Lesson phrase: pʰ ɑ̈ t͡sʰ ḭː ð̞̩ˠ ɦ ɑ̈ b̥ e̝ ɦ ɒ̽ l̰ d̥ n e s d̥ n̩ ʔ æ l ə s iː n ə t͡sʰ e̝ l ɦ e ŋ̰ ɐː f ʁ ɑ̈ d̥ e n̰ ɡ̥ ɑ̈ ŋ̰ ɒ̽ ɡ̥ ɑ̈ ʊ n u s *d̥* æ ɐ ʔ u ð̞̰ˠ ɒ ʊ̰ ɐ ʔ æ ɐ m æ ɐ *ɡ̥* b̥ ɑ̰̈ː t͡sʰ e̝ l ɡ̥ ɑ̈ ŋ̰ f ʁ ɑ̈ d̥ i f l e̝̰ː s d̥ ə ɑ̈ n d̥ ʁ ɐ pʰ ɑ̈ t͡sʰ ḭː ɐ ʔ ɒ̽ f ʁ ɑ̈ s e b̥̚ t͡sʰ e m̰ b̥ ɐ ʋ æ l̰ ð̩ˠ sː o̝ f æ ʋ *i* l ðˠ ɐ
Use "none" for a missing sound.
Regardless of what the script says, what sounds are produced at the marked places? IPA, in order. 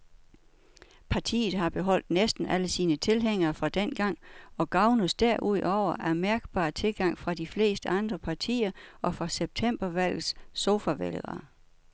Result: d̥, ɡ̥, e

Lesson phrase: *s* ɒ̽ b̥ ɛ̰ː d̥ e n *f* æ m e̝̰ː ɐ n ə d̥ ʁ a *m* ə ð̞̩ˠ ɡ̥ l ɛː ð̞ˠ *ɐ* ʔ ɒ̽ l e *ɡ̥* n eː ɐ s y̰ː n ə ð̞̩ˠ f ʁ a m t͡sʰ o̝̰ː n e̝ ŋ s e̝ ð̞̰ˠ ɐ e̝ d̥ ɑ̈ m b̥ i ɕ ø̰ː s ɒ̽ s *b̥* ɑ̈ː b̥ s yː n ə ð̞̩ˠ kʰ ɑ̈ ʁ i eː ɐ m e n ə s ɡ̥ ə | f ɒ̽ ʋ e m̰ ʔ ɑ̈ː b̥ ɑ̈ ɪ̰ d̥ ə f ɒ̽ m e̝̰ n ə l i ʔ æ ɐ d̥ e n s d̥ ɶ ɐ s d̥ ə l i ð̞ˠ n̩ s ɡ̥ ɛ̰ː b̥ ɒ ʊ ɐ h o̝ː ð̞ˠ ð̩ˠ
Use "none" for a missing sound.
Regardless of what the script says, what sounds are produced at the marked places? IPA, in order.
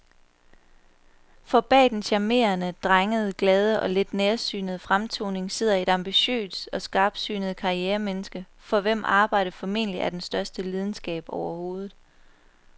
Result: f, ɕ, ŋ, ə, d̥, ɡ̥

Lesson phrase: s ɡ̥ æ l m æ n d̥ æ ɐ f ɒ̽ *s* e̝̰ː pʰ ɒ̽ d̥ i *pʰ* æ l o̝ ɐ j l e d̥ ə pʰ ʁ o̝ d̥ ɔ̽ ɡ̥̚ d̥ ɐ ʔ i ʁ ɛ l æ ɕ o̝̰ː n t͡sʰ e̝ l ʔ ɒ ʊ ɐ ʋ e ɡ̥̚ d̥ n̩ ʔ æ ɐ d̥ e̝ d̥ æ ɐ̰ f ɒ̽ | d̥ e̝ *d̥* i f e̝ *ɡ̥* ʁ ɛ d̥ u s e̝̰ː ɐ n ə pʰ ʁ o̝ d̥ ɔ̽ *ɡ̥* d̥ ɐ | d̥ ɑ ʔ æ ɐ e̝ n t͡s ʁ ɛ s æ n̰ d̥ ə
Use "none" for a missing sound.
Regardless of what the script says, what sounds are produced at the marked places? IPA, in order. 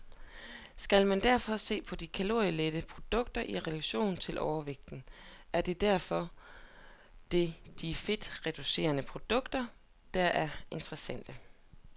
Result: s, kʰ, d̥, d̥, ɡ̥

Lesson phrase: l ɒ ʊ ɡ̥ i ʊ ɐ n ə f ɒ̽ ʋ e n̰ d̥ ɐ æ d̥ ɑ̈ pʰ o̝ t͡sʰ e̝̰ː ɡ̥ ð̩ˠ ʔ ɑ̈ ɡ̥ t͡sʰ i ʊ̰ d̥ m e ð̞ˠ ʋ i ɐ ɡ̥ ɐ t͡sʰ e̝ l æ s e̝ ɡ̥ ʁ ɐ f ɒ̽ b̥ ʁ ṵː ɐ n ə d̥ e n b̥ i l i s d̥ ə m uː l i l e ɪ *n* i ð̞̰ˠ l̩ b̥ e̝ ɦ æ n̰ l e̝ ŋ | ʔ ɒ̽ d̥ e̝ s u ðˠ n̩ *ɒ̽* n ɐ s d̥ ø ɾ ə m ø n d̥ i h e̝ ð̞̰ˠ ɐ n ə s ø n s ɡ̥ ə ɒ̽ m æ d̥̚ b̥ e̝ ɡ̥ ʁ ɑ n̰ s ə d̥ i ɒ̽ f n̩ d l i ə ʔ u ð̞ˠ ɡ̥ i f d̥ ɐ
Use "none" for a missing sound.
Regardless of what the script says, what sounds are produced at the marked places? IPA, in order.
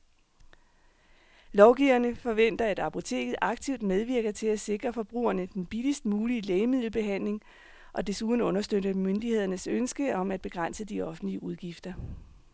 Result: m, ɔ̽

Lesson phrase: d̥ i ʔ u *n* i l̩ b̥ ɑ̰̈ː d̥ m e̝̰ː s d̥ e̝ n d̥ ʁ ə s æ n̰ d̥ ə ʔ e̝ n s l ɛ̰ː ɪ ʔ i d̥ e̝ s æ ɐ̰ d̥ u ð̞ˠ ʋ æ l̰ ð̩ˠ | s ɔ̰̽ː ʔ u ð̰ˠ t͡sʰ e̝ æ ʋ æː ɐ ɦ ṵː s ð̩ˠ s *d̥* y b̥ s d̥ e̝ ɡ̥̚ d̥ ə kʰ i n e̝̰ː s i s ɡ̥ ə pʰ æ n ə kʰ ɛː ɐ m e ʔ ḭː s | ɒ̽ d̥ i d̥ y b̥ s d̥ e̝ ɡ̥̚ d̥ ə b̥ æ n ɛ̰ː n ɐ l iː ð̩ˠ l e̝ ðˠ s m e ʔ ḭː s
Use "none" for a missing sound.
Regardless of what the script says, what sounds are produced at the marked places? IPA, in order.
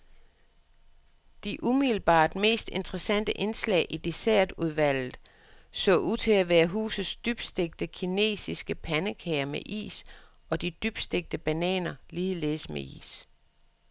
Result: m, d̥

